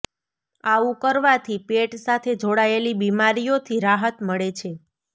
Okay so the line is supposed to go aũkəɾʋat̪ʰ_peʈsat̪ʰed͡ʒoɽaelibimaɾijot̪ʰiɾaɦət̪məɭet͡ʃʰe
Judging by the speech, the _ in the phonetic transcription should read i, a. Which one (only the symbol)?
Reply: i